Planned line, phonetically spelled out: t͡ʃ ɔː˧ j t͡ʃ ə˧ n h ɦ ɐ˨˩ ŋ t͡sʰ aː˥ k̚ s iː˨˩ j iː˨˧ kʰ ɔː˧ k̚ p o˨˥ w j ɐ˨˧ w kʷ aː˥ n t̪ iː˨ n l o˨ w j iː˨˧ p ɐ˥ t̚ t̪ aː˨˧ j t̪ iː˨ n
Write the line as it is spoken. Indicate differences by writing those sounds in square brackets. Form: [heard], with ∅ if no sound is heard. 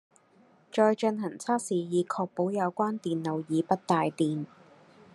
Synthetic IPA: t͡ʃ ɔː˧ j t͡ʃ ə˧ n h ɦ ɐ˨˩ ŋ t͡sʰ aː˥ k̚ s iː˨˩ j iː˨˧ kʰ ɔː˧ k̚ p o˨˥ w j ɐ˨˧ w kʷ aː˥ n t̪ iː˨ n l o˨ w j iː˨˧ p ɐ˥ t̚ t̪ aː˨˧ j t̪ iː˨ n

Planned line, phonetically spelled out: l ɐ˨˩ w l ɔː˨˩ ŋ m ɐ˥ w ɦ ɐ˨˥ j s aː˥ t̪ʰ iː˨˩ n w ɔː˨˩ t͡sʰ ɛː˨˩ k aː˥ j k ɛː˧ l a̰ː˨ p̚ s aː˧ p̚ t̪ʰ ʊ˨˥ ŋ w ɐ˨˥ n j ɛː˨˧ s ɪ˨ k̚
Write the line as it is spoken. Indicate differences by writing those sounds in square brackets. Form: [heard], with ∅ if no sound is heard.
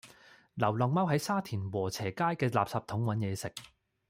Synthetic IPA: l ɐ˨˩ w l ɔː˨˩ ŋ m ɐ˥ w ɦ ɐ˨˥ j s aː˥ t̪ʰ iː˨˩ n w ɔː˨˩ t͡sʰ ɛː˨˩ k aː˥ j k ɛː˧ l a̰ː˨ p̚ s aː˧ p̚ t̪ʰ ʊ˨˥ ŋ w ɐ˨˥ n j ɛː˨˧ s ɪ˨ k̚

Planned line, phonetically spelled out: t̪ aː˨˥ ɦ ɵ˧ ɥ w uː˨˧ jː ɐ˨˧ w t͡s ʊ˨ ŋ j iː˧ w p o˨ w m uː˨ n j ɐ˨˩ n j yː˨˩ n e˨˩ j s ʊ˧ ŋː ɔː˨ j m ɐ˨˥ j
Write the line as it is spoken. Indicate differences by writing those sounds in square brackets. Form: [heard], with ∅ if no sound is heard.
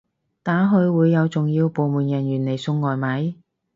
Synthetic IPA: t̪ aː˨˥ ɦ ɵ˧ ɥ w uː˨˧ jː ɐ˨˧ w t͡s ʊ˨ ŋ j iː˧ w p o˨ w m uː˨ n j ɐ˨˩ n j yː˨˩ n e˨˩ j s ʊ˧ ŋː ɔː˨ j m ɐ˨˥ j

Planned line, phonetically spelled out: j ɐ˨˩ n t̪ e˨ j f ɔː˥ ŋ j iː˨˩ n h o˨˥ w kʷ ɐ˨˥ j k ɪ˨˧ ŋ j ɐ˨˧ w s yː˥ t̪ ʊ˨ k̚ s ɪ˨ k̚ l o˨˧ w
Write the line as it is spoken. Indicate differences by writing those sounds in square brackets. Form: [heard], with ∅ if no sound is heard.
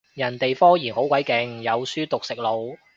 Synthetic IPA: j ɐ˨˩ n t̪ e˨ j f ɔː˥ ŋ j iː˨˩ n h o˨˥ w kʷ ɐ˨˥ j k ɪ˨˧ ŋ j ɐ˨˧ w s yː˥ t̪ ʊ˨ k̚ s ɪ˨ k̚ l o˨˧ w

